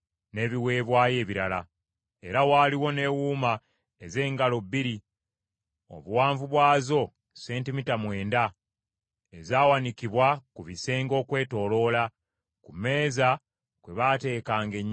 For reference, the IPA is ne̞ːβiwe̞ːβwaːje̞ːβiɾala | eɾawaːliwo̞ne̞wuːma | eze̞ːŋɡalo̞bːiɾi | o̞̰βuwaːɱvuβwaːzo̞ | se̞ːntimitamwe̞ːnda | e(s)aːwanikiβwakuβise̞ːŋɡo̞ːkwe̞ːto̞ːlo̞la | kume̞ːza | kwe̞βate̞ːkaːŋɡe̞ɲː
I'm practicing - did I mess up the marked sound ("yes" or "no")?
yes